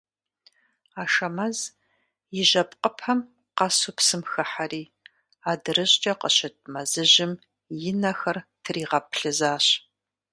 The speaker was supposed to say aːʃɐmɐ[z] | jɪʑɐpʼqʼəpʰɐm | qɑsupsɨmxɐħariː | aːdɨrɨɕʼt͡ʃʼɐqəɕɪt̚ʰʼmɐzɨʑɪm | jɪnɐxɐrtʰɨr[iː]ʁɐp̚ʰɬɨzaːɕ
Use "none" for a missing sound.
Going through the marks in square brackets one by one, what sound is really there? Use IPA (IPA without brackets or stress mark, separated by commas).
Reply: z, iː